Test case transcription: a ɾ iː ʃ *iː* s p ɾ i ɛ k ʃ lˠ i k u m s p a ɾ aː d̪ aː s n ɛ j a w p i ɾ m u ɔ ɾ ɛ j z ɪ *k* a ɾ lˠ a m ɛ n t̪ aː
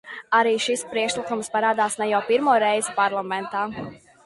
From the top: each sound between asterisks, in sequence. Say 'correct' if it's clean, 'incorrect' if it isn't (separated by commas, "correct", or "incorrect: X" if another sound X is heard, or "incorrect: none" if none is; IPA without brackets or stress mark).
incorrect: i, incorrect: p